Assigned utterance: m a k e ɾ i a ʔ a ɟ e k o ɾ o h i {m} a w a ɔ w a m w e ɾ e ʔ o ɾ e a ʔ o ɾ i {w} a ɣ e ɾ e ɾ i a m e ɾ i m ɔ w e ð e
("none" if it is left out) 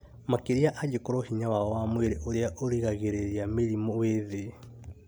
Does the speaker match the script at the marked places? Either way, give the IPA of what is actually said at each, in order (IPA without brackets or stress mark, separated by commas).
ɲ, ɣ